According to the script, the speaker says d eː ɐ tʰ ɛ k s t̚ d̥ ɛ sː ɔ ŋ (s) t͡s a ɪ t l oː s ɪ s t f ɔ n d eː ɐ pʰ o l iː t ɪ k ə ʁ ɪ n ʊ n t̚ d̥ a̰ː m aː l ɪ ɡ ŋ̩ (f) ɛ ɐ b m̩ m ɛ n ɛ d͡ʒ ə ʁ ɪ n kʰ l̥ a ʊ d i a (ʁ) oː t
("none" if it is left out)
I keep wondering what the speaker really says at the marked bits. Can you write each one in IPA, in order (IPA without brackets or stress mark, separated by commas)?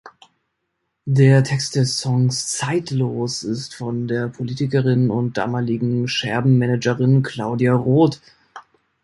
s, ʃ, ʁ